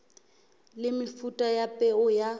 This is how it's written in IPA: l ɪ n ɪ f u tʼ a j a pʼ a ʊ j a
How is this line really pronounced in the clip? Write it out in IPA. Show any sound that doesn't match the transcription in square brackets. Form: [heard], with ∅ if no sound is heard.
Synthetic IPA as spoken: l ɪ [m] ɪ f u tʼ a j a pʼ [ɛ] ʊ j a